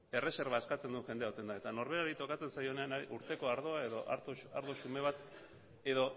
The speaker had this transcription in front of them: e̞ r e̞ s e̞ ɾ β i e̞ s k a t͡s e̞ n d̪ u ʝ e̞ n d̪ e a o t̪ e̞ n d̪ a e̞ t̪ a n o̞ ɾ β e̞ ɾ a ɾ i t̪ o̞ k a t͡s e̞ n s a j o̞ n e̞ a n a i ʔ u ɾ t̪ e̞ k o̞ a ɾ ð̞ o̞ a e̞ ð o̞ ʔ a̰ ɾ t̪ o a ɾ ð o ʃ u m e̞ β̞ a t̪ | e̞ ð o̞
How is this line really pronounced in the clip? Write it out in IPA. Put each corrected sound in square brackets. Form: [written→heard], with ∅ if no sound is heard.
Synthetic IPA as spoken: e̞ r e̞ s e̞ ɾ β [i→a] e̞ s k a t͡s e̞ n d̪ u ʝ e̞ n d̪ e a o t̪ e̞ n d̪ a e̞ t̪ a n o̞ ɾ β e̞ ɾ a ɾ i t̪ o̞ k a t͡s e̞ n s a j o̞ n e̞ a n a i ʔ u ɾ t̪ e̞ k o̞ a ɾ ð̞ o̞ a e̞ ð o̞ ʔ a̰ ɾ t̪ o a ɾ ð o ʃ u m e̞ β̞ a t̪ | e̞ ð o̞